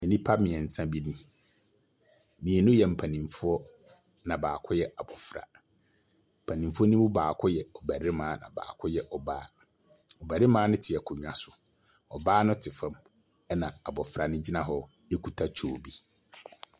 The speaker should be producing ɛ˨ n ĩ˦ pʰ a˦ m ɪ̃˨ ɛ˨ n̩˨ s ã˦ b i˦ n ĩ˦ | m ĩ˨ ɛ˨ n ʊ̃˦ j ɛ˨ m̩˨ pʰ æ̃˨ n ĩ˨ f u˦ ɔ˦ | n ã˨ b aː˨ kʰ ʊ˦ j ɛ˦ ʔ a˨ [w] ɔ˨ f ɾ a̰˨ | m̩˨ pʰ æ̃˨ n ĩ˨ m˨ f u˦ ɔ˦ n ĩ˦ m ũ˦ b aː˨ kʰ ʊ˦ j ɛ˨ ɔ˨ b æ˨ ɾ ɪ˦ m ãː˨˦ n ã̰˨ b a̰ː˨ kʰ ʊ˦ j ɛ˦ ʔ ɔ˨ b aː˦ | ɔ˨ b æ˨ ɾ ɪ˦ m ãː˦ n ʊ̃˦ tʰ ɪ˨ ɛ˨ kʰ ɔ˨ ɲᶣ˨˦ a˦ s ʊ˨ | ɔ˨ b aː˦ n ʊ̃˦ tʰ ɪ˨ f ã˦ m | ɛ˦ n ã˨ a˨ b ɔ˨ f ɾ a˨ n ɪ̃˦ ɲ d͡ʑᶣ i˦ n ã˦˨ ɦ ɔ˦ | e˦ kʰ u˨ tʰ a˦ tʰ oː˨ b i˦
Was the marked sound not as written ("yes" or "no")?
yes